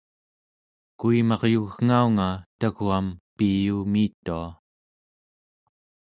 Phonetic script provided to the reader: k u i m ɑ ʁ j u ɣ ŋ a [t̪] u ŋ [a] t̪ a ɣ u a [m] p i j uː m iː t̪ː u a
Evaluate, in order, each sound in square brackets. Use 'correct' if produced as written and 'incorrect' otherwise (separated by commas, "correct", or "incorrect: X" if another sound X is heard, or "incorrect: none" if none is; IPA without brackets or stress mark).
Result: incorrect: none, correct, correct